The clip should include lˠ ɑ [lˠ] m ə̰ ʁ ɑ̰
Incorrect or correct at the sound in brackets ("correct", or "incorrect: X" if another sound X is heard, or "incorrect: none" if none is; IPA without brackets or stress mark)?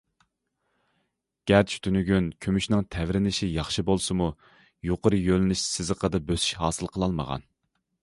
correct